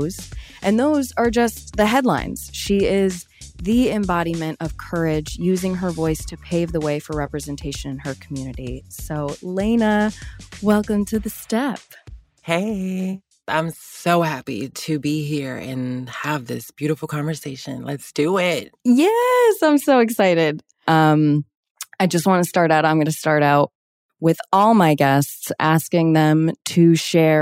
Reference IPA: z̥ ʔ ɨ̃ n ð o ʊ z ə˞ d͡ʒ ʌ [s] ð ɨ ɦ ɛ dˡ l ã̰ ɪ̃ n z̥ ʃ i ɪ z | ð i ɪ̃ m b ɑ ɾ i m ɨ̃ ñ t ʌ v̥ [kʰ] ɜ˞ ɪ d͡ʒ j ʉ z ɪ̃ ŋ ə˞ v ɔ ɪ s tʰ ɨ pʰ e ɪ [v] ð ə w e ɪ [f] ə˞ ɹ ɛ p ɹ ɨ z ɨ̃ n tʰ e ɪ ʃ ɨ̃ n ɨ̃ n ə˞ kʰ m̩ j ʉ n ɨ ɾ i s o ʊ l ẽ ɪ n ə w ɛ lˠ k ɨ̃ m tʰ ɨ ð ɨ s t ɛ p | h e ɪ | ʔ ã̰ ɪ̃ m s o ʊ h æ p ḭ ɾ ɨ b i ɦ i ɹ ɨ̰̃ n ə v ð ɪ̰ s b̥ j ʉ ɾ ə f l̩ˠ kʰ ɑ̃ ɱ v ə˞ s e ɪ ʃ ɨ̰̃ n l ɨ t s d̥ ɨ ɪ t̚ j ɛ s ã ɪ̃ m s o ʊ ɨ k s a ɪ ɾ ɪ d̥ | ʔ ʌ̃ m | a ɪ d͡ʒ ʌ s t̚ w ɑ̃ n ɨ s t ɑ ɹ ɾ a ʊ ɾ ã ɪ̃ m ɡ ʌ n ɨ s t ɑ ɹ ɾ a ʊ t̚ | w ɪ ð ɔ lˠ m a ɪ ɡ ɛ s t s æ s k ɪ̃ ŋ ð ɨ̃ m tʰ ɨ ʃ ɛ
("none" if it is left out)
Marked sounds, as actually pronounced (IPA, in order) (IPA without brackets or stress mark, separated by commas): s, kʰ, v, f